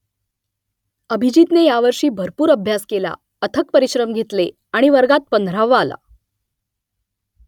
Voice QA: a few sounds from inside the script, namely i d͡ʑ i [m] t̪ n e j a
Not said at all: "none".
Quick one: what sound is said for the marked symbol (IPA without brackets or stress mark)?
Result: none